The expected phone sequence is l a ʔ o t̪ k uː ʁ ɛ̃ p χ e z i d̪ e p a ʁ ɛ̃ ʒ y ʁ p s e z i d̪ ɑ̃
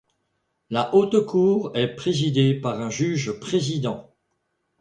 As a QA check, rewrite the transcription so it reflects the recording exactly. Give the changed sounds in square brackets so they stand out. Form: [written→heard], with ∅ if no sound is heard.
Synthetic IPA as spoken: l a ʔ o t̪ k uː ʁ [ɛ̃→ɛ] p χ e z i d̪ e p a ʁ ɛ̃ ʒ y [ʁ→ʒ] p [s→χ] e z i d̪ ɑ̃